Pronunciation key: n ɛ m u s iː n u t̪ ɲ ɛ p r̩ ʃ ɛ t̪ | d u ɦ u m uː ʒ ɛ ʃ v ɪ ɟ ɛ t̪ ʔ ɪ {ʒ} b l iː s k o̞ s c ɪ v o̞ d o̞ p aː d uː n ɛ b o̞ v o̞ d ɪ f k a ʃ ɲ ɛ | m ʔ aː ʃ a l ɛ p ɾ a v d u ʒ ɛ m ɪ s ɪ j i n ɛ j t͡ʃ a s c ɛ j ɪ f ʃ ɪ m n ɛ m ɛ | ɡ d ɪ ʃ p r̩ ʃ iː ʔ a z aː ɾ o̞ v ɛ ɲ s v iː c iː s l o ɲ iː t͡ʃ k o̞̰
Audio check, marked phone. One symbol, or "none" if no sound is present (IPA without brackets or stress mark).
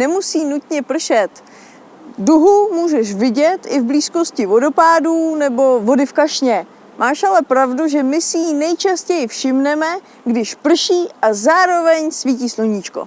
v